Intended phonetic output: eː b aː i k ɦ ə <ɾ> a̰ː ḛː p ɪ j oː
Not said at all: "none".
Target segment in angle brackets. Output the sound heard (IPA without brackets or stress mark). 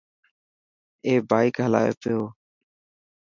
l